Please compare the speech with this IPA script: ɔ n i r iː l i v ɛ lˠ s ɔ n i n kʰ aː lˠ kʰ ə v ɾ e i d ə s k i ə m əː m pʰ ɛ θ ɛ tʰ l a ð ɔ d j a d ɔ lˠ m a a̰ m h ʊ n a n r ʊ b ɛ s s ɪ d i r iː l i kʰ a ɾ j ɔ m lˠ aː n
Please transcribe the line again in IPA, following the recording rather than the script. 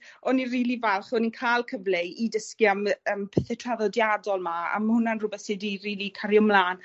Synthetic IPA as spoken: ɔ n i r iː l i v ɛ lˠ χ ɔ n i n kʰ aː lˠ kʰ ə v l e i d ə s k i a m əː m pʰ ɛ θ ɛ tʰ r a ð ɔ d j a d ɔ lˠ m a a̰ m h ʊ n a n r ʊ b ɛ θ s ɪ d i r iː l i kʰ a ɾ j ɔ m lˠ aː n

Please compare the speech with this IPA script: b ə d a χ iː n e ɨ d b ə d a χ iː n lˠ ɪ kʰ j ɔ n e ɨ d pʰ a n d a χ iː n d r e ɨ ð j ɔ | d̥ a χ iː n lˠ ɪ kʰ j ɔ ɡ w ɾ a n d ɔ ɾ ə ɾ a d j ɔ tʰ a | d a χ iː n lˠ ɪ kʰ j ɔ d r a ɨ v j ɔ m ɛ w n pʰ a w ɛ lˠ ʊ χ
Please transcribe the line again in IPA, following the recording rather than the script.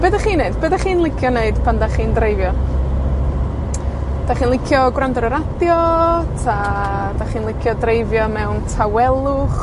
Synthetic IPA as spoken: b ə d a χ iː n e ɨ d b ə d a χ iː n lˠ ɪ kʰ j ɔ n e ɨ d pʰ a n d a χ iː n d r e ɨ v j ɔ | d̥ a χ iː n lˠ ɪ kʰ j ɔ ɡ w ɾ a n d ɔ ɾ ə ɾ a d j ɔ tʰ a | d a χ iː n lˠ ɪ kʰ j ɔ d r e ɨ v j ɔ m ɛ w n tʰ a w ɛ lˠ ʊ χ

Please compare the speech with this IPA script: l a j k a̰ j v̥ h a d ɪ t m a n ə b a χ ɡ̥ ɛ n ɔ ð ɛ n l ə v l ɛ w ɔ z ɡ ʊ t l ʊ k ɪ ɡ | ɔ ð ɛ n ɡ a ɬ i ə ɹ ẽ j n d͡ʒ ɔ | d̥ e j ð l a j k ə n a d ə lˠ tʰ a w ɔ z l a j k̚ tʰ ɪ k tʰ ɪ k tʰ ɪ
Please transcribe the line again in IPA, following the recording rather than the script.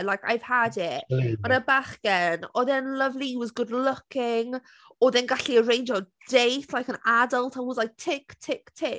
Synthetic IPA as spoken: l a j k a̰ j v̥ h a d ɪ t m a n ə b a χ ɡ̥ ɛ n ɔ ð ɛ n l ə v l i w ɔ z ɡ ʊ d l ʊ k ɪ ŋ | ɔ ð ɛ n ɡ a ɬ i ə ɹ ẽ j n d͡ʒ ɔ | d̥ e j θ l a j k ə n a d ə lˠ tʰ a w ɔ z l a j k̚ tʰ ɪ k tʰ ɪ k tʰ ɪ

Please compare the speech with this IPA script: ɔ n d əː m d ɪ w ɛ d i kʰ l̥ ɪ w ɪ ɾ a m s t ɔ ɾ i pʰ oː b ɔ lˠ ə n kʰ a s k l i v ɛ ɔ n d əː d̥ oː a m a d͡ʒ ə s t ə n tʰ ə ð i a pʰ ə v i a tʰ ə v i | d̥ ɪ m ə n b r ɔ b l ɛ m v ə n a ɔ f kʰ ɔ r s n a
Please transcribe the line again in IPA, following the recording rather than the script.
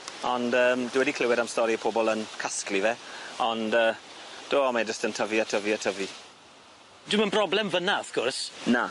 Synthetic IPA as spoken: ɔ n d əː m d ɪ w ɛ d i kʰ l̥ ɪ w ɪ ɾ a m s t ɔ ɾ i pʰ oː b ɔ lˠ ə n kʰ a s k l i v ɛ ɔ n d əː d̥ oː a m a d͡ʒ ə s t ə n tʰ ə v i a tʰ ə v i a tʰ ə v i | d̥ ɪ m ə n b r ɔ b l ɛ m v ə n a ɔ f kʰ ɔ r s n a

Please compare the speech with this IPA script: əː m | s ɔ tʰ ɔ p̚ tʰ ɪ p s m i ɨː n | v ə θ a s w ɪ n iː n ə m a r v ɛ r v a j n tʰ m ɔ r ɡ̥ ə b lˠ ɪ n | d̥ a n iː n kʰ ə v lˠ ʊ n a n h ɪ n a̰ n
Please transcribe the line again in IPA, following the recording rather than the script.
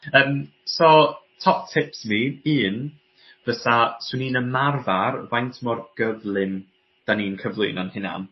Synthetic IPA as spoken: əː m | s ɔ tʰ ɔ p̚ tʰ ɪ p s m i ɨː n | v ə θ a s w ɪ n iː n ə m a r v a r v a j n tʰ m ɔ r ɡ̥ ə v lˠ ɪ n | d̥ a n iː n kʰ ə v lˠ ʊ n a n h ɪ n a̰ n

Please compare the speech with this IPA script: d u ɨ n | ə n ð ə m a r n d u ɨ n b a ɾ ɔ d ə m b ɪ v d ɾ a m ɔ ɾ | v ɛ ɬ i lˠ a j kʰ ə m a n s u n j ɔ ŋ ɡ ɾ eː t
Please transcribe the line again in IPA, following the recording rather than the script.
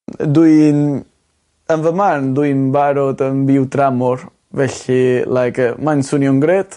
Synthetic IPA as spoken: d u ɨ n | ə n v ə m a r n d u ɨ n b a ɾ ɔ d ə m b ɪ w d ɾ a m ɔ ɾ | v ɛ ɬ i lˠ a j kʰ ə m a n s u n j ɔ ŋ ɡ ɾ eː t

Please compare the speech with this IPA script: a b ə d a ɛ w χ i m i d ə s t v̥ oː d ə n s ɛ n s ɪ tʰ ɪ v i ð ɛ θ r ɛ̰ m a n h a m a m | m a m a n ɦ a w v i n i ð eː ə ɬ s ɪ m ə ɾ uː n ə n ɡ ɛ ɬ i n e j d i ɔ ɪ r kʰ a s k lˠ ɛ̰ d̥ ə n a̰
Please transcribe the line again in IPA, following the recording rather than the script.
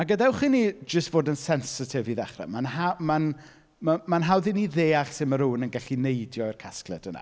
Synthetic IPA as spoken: a ɡ ə d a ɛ w χ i n i d͡ʒ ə s t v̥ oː d ə n s ɛ n s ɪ tʰ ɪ v i ð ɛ χ r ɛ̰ m a n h a m a n | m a m a n ɦ a w ð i n i ð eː a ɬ s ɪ m ə ɾ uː n ə n ɡ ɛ ɬ i n e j d j ɔ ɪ r kʰ a s k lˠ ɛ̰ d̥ ə n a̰

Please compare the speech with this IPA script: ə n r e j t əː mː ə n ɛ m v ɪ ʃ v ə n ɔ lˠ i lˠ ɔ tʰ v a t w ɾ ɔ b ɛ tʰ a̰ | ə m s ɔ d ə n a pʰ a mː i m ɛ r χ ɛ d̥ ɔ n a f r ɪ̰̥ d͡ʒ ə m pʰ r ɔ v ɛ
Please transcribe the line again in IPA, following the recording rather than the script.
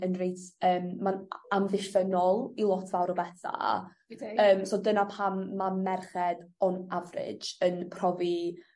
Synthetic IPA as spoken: ə n r e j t əː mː a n a m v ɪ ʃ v ə n ɔ lˠ i lˠ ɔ tʰ v a w ɾ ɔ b ɛ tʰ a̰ | əː m s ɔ d ə n a pʰ a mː a m ɛ r χ ɛ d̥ ɔ n a v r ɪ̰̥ d͡ʒ ə n pʰ r ɔ v i

